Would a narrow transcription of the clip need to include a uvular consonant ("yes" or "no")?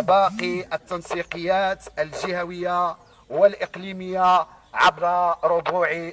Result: yes